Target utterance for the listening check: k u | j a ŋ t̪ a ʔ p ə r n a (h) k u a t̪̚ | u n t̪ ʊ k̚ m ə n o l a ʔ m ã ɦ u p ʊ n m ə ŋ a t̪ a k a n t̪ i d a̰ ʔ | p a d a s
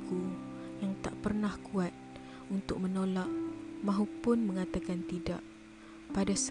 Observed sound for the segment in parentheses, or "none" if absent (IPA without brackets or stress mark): h